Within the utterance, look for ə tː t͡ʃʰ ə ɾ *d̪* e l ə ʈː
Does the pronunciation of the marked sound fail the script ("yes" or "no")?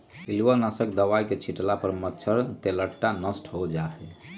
yes